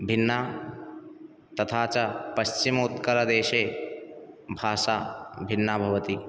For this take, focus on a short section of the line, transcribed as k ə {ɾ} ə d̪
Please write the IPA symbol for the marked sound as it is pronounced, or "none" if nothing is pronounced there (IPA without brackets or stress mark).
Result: ɾ